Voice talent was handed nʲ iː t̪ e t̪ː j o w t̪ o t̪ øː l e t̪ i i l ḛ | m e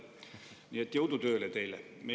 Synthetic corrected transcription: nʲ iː e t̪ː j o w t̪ u t̪ øː l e t̪ e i l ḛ | m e